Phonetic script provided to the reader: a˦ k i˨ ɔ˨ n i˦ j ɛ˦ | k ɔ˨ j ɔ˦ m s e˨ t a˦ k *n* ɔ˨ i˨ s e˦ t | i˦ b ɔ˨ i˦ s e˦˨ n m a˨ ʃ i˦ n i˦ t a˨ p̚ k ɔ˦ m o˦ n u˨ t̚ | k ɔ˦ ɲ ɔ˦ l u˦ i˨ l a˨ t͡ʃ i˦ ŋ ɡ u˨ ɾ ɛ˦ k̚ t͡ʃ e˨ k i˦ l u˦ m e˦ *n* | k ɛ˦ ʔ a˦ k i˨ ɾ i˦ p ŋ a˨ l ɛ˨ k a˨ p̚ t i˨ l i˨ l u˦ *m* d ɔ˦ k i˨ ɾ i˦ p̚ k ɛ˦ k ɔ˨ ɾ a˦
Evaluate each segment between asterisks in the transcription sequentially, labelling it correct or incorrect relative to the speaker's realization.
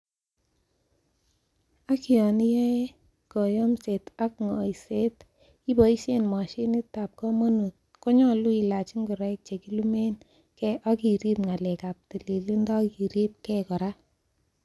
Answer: incorrect: ŋ, correct, incorrect: n

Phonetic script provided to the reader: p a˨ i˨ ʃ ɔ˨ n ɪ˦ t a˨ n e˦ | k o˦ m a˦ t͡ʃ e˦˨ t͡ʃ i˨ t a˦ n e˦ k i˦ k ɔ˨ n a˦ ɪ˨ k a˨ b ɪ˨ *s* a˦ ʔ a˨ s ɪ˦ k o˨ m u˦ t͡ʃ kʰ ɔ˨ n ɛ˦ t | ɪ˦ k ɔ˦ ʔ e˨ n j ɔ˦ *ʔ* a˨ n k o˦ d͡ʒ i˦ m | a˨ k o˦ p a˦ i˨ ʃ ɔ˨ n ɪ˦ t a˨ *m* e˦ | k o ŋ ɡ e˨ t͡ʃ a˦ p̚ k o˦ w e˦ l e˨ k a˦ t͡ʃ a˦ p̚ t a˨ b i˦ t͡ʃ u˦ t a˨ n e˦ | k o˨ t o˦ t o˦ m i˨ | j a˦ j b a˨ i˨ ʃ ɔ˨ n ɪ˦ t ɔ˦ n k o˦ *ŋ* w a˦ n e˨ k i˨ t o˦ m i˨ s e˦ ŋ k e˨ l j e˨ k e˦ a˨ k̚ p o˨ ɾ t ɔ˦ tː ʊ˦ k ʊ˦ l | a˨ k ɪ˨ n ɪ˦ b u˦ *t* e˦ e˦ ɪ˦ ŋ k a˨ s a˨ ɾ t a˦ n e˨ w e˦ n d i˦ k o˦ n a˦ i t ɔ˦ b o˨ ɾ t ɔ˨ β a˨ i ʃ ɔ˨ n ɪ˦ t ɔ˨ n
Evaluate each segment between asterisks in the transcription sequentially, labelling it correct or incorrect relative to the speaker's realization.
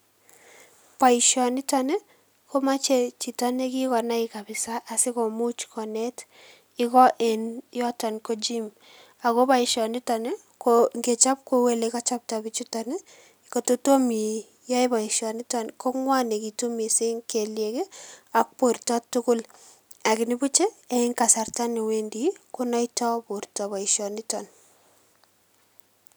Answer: correct, incorrect: t, incorrect: n, correct, incorrect: t͡ʃ

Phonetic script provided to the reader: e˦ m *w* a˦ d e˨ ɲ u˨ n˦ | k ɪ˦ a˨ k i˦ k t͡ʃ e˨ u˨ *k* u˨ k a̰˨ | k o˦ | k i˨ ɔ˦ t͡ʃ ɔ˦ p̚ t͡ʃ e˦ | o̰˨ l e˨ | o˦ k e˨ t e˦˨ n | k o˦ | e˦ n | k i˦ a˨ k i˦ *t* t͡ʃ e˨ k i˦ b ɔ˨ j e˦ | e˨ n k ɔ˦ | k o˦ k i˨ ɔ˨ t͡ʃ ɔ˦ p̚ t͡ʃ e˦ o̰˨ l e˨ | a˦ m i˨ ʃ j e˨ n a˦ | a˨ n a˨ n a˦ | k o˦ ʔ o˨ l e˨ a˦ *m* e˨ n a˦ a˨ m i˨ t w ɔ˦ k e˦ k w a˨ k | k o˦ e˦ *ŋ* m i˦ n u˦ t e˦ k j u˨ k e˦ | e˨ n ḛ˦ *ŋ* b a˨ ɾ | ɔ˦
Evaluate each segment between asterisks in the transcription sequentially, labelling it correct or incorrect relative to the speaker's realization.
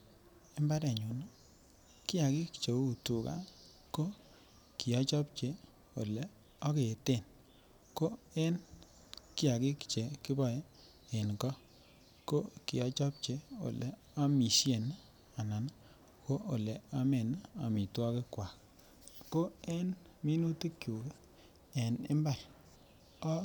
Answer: incorrect: b, incorrect: t, incorrect: k, correct, incorrect: n, incorrect: m

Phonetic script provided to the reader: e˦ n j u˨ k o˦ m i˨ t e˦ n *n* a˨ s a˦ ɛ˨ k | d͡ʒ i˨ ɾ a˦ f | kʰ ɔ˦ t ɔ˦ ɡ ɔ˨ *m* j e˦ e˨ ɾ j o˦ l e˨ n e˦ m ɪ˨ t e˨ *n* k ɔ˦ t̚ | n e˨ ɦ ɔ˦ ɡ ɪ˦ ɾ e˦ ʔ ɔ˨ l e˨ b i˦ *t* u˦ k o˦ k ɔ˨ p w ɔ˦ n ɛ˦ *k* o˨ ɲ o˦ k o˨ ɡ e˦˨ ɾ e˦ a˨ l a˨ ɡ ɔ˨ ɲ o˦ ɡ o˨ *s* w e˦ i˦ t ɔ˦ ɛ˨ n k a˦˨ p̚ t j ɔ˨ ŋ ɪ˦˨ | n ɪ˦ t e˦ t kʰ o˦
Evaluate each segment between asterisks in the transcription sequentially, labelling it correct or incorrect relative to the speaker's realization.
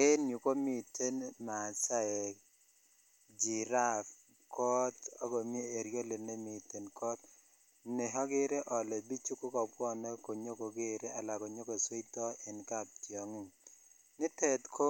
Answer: incorrect: m, correct, correct, incorrect: t͡ʃ, correct, correct

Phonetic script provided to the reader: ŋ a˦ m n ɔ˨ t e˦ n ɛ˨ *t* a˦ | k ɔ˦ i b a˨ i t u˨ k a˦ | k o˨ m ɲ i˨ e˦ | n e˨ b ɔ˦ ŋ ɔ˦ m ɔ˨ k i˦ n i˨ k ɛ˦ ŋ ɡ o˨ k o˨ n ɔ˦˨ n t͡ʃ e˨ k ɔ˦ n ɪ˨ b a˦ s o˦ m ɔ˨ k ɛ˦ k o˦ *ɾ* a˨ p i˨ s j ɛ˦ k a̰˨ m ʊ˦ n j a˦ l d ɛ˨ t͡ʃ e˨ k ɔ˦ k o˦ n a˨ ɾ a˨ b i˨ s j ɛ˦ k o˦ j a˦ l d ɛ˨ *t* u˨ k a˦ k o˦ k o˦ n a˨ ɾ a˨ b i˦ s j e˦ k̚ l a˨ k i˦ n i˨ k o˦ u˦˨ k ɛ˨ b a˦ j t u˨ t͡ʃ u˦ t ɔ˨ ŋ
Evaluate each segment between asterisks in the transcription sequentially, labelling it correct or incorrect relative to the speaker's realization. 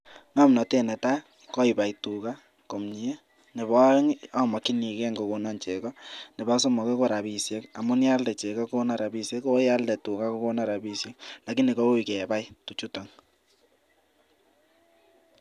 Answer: correct, correct, correct

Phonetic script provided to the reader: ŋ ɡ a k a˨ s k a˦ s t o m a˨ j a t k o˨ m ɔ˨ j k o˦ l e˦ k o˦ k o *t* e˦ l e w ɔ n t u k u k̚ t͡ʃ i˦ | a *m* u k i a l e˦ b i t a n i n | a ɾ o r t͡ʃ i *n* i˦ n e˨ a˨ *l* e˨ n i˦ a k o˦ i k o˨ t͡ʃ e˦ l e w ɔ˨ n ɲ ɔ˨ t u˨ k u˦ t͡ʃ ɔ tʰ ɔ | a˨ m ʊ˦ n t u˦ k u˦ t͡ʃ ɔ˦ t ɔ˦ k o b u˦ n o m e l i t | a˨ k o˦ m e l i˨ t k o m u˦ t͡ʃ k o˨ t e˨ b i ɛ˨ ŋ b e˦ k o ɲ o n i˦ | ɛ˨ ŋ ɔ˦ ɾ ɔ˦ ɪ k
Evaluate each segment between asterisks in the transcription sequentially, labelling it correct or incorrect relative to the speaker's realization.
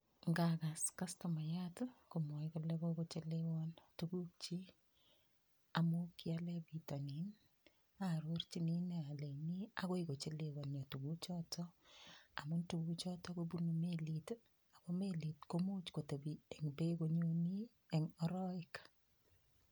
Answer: incorrect: t͡ʃ, correct, correct, correct

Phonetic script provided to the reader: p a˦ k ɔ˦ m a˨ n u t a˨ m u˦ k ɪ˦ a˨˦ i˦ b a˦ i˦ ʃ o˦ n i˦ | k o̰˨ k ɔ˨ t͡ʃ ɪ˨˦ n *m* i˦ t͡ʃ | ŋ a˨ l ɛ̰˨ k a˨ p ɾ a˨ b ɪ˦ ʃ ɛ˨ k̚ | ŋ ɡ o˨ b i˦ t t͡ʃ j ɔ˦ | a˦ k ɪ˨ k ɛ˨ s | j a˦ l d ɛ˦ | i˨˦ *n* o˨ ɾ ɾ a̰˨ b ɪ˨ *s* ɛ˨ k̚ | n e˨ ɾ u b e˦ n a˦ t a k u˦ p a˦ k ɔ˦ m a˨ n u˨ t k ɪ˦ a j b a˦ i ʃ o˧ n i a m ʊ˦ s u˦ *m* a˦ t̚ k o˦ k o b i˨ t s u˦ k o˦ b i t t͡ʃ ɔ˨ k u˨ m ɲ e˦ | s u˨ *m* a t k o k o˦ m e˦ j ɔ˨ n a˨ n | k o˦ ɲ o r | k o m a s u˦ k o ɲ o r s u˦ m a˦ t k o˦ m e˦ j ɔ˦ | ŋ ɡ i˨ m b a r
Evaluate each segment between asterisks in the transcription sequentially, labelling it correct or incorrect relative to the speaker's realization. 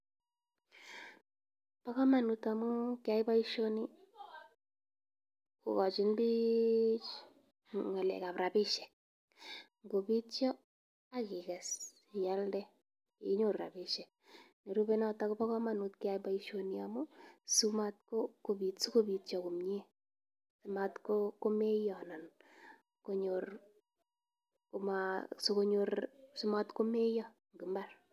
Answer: incorrect: b, incorrect: ɲ, incorrect: ʃ, correct, correct

